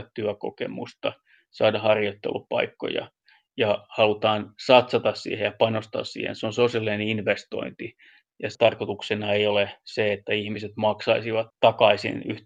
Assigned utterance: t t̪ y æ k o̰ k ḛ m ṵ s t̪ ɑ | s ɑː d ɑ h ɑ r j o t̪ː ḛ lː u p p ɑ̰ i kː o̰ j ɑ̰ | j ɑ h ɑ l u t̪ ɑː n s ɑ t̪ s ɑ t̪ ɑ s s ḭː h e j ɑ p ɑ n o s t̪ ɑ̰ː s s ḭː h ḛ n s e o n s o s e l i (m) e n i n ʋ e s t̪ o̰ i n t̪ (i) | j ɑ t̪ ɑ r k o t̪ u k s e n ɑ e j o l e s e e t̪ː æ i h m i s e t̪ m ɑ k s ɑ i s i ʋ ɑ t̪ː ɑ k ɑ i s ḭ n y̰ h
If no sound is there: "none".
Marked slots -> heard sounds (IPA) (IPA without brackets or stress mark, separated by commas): n, i